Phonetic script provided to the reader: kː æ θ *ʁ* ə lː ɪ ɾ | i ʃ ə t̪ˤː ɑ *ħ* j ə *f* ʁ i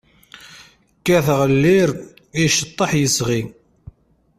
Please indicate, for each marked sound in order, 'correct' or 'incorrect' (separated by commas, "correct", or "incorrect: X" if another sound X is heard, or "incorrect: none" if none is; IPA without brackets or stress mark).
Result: correct, correct, incorrect: s